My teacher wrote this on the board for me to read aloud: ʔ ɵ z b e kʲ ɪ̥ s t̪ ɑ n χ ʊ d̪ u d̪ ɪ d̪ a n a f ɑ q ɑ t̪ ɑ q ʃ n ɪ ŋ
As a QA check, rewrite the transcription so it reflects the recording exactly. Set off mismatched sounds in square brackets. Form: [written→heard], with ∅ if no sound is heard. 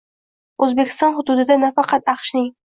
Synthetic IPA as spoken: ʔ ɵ z b e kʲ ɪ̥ s t̪ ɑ n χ ʊ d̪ u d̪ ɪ d̪ a n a f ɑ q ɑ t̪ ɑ q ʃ n ɪ ŋ